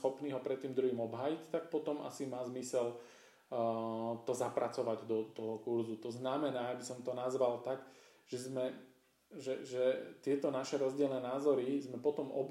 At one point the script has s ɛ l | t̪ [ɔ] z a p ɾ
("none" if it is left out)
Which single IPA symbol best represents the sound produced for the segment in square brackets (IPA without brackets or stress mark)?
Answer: ɔ